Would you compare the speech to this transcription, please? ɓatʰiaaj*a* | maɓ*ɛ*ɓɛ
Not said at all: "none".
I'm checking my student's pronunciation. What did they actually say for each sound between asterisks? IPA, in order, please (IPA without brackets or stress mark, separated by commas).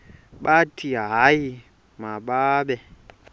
i, a